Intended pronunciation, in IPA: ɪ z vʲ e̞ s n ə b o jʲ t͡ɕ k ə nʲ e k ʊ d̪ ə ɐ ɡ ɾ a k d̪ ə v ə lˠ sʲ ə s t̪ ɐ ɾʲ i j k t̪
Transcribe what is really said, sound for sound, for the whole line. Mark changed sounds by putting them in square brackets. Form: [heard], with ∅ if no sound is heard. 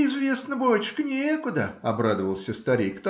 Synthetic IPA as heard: ɪ z vʲ e̞ s n ə b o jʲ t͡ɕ k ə nʲ e k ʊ d̪ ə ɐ [b] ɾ a [∅] d̪ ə v ə lˠ sʲ ə s t̪ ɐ ɾʲ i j k t̪